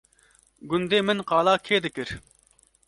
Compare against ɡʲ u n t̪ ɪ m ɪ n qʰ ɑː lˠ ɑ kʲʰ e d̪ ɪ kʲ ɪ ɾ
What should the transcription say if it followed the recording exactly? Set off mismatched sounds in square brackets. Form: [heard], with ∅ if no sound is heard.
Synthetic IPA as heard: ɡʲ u n [d̪] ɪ m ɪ n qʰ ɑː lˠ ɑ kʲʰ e d̪ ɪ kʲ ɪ ɾ